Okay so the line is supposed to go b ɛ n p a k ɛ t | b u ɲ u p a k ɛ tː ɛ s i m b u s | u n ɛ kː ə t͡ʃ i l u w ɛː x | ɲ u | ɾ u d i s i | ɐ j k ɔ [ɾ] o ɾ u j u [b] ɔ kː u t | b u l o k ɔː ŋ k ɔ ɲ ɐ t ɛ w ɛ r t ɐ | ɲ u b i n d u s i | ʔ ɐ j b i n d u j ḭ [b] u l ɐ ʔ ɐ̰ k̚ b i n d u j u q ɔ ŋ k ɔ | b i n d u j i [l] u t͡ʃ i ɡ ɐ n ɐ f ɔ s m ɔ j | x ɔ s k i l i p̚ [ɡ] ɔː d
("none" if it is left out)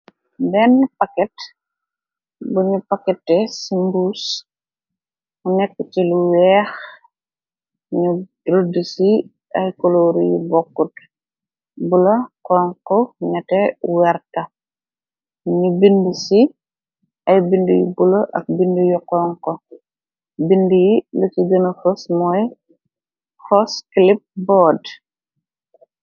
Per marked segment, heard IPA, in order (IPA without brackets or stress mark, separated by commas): l, b, b, l, b